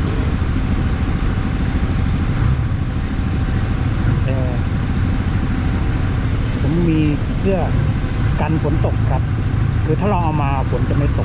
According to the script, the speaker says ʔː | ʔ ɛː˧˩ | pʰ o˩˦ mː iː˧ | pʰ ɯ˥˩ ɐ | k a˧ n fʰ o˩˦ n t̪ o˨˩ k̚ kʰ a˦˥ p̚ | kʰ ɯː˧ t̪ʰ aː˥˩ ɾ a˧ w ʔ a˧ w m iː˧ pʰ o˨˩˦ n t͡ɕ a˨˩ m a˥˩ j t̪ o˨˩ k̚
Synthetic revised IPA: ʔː | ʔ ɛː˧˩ | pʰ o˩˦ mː iː˧ | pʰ ɯ˥˩ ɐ | k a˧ n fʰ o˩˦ n t̪ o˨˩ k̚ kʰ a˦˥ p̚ | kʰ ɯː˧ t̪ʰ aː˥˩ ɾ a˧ w ʔ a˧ w m aː˧ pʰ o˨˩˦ n t͡ɕ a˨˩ m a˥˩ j t̪ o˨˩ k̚